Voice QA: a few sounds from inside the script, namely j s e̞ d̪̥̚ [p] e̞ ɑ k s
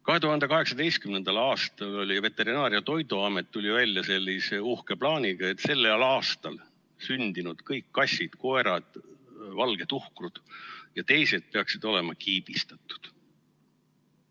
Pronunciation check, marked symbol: correct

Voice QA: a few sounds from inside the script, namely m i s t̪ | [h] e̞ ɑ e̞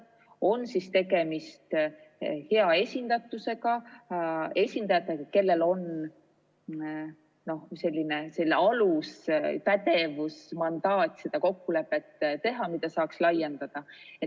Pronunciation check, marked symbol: correct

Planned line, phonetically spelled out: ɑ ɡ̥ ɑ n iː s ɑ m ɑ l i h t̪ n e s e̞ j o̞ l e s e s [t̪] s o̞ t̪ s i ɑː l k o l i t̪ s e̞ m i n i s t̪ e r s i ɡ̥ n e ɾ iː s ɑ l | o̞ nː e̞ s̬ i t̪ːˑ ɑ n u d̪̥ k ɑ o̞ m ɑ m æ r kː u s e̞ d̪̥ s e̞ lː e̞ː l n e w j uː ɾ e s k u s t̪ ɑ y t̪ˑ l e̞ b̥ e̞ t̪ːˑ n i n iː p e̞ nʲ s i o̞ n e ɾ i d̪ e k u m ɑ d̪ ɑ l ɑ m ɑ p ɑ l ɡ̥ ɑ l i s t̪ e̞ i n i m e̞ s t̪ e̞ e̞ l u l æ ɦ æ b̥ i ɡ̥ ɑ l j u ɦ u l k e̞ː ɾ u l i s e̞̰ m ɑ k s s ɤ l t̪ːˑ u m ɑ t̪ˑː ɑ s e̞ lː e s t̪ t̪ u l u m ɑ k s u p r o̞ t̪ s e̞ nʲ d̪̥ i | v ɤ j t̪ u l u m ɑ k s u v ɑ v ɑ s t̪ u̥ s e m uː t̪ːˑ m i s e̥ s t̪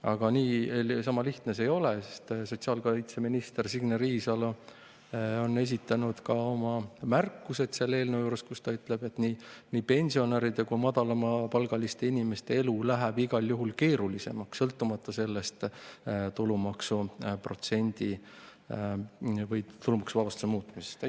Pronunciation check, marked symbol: correct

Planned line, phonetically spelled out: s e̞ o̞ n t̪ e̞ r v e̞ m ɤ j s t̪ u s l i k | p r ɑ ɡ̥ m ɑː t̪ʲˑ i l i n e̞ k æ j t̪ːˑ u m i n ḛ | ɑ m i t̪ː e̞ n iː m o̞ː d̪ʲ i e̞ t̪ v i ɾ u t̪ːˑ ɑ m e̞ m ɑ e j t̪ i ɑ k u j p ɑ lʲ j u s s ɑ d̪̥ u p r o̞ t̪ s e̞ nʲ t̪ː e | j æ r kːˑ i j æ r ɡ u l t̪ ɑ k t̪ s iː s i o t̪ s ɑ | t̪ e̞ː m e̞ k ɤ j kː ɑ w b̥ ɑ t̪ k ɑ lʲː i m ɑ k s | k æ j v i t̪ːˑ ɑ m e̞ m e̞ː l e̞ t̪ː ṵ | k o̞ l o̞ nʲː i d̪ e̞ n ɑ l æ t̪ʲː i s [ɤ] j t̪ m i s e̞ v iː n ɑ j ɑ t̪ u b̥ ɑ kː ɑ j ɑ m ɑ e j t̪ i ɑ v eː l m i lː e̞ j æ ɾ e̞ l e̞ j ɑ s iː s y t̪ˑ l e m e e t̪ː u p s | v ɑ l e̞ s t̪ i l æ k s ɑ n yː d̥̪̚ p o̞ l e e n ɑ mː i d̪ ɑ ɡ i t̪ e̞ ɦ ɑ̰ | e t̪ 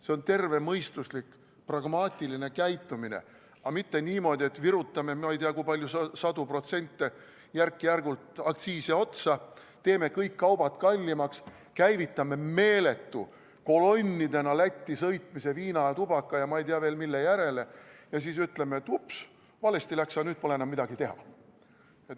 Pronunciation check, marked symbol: correct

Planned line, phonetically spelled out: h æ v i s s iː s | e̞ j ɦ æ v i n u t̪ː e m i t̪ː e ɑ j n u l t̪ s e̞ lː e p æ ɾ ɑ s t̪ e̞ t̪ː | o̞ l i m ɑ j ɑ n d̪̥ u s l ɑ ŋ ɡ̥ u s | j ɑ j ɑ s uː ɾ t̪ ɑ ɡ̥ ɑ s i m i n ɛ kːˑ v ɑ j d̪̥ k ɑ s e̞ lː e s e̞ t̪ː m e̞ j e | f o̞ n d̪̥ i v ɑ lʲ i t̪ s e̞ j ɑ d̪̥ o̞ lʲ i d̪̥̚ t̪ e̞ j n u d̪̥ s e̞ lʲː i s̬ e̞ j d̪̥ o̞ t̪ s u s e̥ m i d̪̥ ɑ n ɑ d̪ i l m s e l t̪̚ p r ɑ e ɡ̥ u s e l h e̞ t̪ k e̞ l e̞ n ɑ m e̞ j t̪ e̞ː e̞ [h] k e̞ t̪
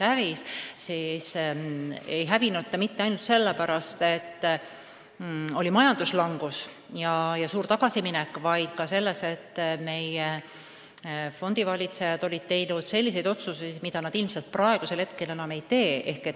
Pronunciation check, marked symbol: correct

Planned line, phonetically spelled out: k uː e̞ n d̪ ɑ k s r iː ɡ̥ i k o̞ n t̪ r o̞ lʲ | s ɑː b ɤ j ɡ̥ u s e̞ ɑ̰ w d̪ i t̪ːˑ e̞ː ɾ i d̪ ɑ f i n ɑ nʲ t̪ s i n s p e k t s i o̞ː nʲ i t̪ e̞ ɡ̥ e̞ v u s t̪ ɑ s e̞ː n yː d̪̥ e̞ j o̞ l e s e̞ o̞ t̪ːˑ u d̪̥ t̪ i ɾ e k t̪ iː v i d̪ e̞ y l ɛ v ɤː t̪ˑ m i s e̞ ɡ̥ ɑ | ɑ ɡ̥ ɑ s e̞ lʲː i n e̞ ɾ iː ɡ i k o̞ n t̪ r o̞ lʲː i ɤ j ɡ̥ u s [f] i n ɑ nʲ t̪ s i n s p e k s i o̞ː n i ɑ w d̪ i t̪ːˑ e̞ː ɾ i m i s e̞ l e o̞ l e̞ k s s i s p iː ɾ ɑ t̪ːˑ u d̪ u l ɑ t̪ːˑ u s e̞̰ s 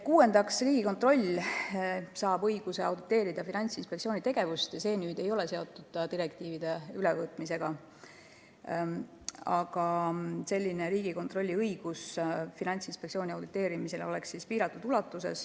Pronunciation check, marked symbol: correct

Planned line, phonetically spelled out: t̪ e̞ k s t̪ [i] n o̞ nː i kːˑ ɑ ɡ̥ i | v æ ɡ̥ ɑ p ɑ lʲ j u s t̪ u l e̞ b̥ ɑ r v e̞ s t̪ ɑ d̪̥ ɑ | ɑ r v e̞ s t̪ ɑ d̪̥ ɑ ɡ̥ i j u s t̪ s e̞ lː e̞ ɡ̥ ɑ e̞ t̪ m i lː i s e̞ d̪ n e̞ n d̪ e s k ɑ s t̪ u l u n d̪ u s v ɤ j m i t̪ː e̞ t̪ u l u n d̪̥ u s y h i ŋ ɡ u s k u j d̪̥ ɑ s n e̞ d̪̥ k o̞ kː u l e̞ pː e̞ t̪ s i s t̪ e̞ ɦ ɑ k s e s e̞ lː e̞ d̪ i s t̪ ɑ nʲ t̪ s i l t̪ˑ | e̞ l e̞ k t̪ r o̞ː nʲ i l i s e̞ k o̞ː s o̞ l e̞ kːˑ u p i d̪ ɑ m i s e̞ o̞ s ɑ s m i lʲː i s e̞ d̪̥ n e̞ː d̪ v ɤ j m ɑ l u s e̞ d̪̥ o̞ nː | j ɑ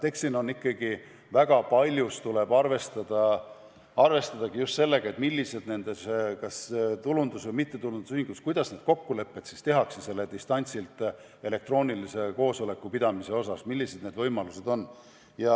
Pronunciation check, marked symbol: correct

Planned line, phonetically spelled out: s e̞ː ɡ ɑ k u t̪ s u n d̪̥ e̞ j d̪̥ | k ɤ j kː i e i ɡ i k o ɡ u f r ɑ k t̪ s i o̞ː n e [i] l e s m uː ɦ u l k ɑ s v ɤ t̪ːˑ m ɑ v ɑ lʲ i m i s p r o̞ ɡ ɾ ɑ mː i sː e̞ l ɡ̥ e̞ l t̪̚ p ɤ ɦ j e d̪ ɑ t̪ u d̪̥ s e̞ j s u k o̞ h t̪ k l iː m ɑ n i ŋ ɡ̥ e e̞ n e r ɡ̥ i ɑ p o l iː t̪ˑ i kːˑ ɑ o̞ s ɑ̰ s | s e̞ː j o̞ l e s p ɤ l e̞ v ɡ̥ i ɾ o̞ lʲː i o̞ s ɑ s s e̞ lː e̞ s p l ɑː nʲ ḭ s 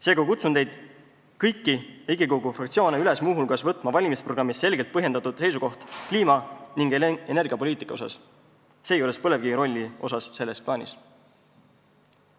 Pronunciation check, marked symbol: incorrect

